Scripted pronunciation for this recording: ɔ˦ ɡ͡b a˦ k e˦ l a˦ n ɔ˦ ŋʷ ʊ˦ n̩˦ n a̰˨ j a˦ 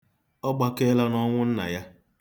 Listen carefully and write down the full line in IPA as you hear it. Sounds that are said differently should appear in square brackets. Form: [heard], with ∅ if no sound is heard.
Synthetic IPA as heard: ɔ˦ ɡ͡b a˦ k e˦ l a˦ n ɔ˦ ŋʷ ʊ˦ n̩˦ n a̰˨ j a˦